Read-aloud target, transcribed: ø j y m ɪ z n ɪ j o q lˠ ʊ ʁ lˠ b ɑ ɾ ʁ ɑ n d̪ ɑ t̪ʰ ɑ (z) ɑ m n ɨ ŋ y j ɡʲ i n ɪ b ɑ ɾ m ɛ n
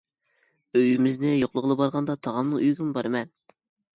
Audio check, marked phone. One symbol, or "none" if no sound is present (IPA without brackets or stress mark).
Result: ʁ